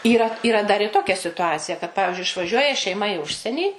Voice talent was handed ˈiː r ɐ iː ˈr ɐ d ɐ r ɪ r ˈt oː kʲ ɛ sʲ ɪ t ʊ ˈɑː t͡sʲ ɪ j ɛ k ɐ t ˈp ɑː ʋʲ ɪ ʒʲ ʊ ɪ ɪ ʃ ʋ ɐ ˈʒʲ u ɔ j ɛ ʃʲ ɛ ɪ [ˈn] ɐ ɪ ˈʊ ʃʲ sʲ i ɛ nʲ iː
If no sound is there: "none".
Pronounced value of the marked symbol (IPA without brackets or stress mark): m